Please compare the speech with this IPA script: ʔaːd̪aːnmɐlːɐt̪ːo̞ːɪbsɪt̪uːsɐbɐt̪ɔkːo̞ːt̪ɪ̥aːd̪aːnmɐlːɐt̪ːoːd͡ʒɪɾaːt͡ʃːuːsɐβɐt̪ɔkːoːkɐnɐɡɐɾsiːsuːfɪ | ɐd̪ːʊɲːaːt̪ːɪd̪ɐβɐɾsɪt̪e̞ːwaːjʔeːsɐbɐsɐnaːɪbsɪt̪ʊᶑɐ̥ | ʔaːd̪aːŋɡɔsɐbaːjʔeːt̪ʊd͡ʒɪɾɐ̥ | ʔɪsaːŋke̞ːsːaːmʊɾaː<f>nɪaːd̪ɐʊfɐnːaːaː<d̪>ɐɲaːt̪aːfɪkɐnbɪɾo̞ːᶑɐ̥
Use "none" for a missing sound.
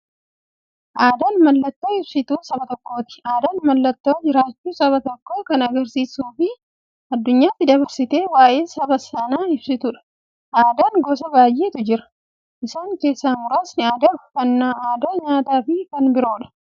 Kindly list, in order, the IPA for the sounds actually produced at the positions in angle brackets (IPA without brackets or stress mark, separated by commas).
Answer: s, d̪